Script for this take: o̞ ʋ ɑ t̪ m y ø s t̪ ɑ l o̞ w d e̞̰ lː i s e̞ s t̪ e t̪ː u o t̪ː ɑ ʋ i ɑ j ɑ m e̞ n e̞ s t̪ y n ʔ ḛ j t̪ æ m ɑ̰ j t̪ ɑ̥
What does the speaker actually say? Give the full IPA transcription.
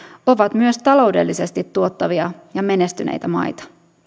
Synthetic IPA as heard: o̞ ʋ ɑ t̪ m y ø s t̪ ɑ l o̞ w d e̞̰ lː i s e̞ s t̪ i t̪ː u o t̪ː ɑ ʋ i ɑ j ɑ m e̞ n e̞ s t̪ y n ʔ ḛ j t̪ æ m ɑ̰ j t̪ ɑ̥

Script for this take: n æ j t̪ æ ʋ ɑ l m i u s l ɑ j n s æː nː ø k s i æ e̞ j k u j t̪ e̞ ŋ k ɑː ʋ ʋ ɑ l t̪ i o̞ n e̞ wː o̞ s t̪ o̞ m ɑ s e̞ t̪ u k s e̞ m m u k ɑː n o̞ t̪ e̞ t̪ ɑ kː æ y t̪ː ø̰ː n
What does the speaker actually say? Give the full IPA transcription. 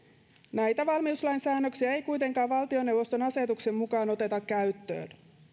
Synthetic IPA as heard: n æ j t̪ æ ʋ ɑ l m i u s l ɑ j n s æː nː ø k s i æ e̞ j k u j t̪ e̞ ŋ k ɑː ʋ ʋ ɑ l t̪ i o̞ n e̞ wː o̞ s t̪ o̞ n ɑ s e̞ t̪ u k s e̞ m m u k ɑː n o̞ t̪ e̞ t̪ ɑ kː æ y t̪ː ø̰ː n

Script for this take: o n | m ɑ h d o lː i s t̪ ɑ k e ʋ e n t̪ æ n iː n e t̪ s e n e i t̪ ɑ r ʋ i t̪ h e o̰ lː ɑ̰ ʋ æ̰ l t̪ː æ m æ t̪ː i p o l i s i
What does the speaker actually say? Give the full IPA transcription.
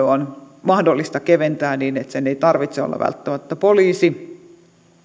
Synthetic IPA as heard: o n | m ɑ h d o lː i s t̪ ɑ k e ʋ e n t̪ æː n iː n e t̪ s e n e i t̪ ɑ r ʋ i t̪ s e o̰ lː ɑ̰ ʋ æ̰ l t̪ː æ m æ t̪ː æ p o l iː s i

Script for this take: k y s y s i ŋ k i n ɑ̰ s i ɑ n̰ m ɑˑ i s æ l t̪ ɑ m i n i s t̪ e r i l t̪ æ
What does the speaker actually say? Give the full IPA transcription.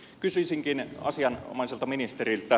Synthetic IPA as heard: k y s y s i ŋ k i n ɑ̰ s i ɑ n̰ m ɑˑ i s e l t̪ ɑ m i n i s t̪ e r i l t̪ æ

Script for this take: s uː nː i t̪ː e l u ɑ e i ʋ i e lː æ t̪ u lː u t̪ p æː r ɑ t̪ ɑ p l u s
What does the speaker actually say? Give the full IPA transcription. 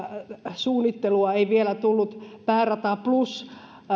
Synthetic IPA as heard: s uː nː i t̪ː e l u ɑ e i ʋ i e l æ t̪ u lː u t̪ p æː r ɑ t̪ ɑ p l u s

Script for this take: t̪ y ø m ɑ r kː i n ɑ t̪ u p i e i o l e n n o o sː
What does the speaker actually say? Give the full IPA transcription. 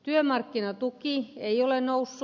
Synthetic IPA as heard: t̪ y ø m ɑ r kː i n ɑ t̪ u k i e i o l e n n o u sː

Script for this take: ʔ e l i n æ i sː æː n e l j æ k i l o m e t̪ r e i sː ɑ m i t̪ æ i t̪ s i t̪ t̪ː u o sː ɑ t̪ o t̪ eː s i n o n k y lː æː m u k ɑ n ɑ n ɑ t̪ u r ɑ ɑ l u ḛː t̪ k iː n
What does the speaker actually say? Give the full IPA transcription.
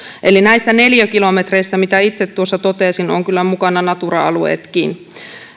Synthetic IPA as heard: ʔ e l i n æ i sː æ n e l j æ k i l o m e t̪ r e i sː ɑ m i t̪ æ i t̪ s e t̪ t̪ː u o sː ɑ t̪ o t̪ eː s i n o ŋ k y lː æ m u k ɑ n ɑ n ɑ t̪ u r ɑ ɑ l u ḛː t̪ k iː n

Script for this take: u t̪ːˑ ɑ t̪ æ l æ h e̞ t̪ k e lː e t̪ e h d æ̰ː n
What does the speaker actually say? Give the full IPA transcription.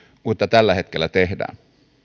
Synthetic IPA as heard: u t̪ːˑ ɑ t̪ æ lː æ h e̞ t̪ k e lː æ t̪ e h d æ̰ː n

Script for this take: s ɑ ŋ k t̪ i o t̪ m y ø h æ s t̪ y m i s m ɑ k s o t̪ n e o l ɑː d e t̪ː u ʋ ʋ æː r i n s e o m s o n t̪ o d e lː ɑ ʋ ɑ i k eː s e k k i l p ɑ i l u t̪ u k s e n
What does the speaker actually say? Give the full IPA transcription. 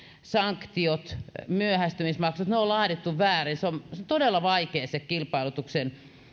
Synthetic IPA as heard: s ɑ ŋ k t̪ i o t̪ m y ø h æ s t̪ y m i s m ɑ k s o t̪ n e o l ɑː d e t̪ː u ʋ ʋ æː r i n s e o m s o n t̪ o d e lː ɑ ʋ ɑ i k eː s e k k i l p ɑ i l u t̪ u k s e n

